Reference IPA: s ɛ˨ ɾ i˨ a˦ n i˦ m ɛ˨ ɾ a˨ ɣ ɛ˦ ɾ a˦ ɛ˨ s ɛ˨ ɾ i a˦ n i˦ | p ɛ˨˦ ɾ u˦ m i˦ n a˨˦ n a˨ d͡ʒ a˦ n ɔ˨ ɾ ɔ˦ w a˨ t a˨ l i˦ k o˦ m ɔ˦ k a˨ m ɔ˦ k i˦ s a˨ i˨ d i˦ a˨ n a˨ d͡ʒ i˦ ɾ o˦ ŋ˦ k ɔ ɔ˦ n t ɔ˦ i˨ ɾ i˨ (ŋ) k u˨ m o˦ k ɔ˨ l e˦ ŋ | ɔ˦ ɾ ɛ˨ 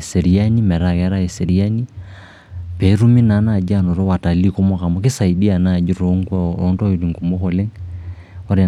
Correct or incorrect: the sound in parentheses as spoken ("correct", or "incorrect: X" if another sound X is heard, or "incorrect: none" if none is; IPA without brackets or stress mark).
correct